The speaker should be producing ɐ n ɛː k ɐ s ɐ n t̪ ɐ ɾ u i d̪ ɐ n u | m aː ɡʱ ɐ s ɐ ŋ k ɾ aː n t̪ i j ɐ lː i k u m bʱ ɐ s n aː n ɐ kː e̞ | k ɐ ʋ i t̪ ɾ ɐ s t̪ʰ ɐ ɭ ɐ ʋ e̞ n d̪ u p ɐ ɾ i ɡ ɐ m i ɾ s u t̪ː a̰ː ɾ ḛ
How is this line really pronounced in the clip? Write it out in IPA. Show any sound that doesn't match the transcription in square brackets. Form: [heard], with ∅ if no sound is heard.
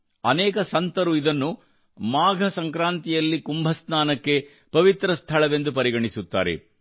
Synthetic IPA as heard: ɐ n ɛː k ɐ s ɐ n t̪ ɐ ɾ u i d̪ ɐ [nː] u | m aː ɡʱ ɐ s ɐ ŋ k ɾ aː n t̪ i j ɐ lː i k u m bʱ ɐ s n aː n ɐ kː e̞ | [p] ɐ ʋ i t̪ ɾ ɐ s t̪ʰ ɐ ɭ ɐ ʋ e̞ n d̪ u p ɐ ɾ i ɡ ɐ [ɳ] i [∅] s u t̪ː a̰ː ɾ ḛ